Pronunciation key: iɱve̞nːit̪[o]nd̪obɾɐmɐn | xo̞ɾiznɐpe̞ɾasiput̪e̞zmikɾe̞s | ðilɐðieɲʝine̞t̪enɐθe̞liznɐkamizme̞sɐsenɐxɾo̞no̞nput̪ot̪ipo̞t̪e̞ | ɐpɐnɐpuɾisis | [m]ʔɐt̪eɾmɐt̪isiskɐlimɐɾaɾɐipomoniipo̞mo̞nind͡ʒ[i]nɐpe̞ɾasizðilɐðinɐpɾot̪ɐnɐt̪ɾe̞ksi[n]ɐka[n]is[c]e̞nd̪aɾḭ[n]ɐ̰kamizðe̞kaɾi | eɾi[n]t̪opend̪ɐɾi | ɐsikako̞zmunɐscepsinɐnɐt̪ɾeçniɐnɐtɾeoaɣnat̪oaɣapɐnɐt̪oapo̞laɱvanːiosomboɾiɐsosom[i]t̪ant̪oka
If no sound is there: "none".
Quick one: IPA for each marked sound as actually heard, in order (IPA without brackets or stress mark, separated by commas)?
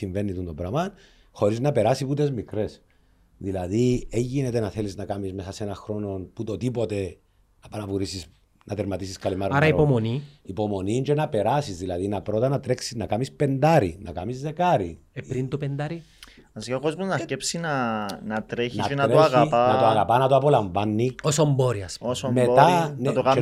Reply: u, n, e, n, m, p, n, n, e